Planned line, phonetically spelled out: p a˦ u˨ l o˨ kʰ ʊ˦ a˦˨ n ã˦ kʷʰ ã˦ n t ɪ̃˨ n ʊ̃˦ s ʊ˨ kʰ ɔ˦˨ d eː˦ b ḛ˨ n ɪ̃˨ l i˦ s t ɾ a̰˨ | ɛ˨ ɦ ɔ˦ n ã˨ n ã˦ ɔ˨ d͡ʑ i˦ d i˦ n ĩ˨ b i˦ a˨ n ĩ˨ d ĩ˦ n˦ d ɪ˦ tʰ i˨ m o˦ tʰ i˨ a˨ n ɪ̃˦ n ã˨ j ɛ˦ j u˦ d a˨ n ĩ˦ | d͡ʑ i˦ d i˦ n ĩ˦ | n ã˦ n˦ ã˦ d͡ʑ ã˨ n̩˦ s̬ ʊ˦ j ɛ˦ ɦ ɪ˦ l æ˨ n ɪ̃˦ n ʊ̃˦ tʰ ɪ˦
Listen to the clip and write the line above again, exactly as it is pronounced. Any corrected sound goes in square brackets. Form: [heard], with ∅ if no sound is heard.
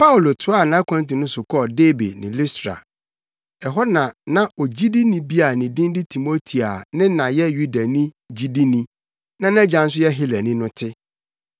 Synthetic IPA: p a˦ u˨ l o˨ [tʰ] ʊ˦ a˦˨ n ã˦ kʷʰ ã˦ n t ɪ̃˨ n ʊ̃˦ s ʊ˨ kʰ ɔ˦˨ d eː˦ b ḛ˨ n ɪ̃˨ l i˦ s t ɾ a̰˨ | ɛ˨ ɦ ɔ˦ n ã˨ n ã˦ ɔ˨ d͡ʑ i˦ d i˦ n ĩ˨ b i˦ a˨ n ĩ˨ d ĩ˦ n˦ d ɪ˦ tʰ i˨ m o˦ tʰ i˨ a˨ n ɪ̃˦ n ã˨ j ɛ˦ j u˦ d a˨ n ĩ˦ | d͡ʑ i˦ d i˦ n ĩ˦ | n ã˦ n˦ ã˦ d͡ʑ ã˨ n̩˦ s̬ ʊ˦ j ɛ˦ ɦ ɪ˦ l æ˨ n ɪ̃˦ n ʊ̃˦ tʰ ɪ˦